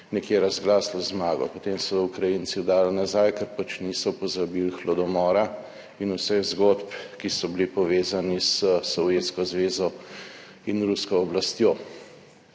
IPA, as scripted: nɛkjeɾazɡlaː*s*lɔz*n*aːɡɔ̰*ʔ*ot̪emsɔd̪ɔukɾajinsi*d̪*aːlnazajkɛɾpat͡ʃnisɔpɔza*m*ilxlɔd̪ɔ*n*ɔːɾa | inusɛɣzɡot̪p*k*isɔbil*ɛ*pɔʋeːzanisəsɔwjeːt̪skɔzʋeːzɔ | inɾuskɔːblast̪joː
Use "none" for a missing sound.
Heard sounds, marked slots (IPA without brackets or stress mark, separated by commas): s, m, p, d̪, b, m, k, i